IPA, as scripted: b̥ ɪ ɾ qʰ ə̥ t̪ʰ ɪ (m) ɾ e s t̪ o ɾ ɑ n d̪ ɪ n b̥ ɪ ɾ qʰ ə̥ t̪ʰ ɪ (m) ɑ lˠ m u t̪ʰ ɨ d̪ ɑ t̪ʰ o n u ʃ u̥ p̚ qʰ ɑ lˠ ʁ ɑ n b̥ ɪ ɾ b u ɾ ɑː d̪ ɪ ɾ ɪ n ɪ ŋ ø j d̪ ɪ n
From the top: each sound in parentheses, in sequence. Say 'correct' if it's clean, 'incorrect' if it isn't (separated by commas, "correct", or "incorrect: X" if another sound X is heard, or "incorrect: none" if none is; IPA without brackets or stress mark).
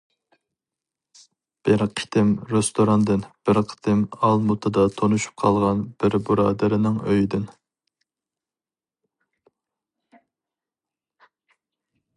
correct, correct